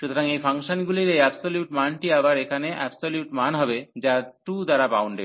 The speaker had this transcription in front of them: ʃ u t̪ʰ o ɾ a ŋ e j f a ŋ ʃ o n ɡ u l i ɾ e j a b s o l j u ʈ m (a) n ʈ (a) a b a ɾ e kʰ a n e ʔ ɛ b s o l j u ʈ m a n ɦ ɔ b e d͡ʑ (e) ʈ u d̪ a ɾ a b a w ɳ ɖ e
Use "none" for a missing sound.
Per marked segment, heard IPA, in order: a, i, a

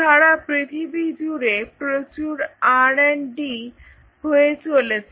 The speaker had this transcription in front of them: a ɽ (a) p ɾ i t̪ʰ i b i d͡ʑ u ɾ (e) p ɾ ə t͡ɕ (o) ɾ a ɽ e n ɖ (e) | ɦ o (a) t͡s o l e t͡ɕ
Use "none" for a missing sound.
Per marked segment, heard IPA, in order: a, e, u, i, e

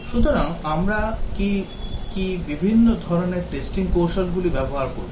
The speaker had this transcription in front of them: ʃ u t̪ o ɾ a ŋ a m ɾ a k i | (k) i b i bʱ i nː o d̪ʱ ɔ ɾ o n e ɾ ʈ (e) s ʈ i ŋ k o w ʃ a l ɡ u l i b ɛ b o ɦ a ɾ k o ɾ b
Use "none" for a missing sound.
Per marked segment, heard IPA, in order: k, e

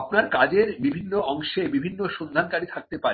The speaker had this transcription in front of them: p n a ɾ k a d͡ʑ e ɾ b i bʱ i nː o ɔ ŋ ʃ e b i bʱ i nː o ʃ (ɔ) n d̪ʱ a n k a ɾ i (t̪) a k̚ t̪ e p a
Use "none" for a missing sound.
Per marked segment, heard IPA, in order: o, t̪ʰ

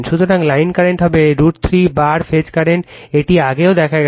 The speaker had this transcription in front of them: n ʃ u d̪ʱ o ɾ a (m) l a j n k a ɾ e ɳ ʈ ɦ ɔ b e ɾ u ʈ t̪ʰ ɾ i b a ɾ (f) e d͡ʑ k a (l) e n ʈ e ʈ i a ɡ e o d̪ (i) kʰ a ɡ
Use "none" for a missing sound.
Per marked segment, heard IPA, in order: ŋ, f, ɾ, ɛ

